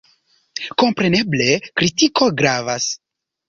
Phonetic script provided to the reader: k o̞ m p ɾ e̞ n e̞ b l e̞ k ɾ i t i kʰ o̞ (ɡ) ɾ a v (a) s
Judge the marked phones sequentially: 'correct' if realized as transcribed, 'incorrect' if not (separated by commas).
correct, correct